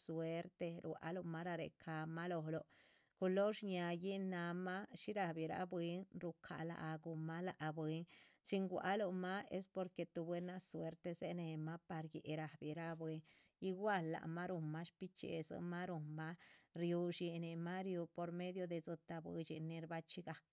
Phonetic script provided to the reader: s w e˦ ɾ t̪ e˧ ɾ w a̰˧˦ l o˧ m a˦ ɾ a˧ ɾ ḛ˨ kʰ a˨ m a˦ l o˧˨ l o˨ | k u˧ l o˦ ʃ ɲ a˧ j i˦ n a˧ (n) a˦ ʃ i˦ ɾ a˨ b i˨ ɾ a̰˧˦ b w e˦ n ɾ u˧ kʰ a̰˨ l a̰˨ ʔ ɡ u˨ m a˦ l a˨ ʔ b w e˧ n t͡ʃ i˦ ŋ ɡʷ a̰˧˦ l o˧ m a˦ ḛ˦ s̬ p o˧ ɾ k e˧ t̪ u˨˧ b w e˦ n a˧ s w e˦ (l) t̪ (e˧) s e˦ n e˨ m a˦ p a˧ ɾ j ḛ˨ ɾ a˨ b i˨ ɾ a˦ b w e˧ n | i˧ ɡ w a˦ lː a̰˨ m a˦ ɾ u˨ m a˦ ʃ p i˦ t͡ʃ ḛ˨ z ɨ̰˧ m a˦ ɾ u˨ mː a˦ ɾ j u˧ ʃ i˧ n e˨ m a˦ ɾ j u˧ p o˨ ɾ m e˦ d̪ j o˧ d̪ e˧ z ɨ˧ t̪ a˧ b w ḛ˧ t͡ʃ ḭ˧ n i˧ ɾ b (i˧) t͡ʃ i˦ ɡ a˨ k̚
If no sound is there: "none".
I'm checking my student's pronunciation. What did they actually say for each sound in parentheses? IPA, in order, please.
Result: m, ɾ, e˧, a˧

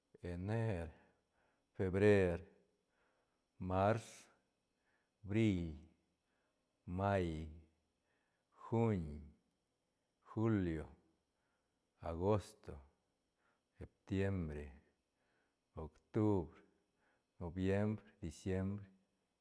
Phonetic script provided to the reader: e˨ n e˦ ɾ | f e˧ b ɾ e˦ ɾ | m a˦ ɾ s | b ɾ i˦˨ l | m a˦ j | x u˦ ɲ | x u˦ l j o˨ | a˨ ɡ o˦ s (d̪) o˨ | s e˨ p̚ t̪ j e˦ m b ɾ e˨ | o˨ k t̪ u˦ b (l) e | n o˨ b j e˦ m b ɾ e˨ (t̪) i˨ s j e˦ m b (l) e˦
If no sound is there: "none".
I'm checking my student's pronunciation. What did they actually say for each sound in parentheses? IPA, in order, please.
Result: t̪, ɾ, d̪, ɾ

